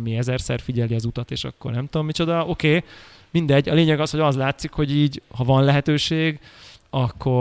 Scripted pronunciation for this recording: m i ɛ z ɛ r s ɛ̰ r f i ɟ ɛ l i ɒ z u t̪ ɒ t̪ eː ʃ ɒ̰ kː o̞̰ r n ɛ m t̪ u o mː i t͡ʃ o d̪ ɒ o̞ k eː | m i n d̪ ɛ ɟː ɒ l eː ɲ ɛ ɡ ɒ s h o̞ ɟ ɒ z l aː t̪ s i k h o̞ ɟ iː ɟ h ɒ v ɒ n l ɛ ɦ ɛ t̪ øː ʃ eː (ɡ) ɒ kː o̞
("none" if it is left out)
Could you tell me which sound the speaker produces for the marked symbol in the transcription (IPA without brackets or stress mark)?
ɡ